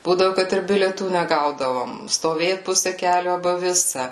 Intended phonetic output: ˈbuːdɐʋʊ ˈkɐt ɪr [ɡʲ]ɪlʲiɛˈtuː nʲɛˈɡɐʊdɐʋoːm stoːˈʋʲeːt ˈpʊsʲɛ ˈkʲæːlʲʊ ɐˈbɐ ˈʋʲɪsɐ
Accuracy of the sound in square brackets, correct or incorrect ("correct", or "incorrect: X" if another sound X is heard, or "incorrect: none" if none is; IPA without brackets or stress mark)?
incorrect: bʲ